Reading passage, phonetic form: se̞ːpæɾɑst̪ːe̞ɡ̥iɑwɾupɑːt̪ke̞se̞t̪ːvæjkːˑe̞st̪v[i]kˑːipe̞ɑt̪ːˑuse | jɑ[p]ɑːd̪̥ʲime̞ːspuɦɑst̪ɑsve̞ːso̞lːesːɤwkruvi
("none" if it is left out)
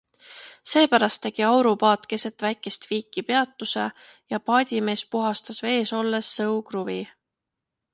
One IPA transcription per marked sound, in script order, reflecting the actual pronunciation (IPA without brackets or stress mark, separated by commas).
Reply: iː, p